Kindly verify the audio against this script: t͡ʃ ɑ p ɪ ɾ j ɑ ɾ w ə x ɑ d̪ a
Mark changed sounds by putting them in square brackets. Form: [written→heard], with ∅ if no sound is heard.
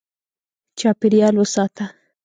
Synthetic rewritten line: t͡ʃ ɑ p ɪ ɾ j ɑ [ɾ→l] w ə [x→s] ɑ [d̪→t̪] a